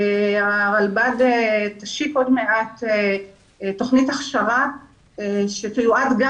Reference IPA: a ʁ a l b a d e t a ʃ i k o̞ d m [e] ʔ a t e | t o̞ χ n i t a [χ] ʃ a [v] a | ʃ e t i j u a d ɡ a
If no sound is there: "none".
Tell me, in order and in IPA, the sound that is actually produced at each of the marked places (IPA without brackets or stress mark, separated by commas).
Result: e, χ, ʁ